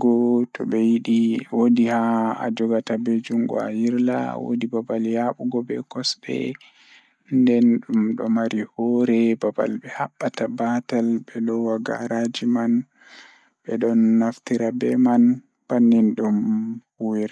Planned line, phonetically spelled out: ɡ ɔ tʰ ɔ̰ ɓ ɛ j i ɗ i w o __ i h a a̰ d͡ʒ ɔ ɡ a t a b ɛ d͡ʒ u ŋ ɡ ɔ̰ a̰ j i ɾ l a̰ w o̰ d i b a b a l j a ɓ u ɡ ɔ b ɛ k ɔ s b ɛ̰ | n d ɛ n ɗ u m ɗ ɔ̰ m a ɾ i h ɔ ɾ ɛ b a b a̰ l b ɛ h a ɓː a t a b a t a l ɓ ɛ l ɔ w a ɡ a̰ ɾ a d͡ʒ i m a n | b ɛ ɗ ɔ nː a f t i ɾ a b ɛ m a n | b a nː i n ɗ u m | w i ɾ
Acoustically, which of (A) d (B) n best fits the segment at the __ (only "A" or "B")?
A